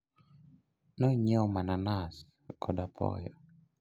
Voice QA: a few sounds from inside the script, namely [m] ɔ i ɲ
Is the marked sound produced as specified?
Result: no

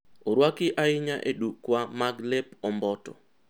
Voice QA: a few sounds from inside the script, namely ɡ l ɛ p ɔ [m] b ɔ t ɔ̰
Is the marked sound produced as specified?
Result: yes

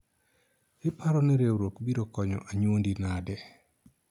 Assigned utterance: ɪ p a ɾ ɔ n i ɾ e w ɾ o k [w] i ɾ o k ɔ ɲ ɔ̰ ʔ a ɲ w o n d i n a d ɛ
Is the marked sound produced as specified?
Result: no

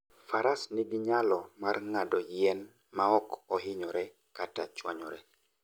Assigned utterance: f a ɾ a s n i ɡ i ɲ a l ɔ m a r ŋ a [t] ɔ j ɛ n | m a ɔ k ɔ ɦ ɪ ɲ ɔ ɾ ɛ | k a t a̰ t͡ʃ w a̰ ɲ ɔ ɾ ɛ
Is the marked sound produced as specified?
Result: no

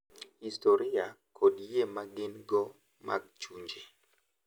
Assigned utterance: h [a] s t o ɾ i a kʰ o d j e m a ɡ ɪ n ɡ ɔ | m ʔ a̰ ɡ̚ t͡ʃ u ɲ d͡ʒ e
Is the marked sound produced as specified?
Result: no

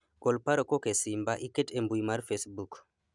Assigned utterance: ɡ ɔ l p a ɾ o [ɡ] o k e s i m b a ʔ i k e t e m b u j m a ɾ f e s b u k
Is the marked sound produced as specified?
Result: no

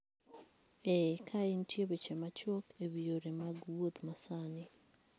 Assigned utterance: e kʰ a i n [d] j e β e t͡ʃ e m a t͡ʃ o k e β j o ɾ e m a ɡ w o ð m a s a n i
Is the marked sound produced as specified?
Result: no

